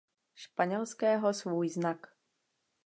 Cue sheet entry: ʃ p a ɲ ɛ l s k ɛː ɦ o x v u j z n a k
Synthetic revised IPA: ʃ p a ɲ ɛ l s k ɛː ɦ o s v uː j z n a k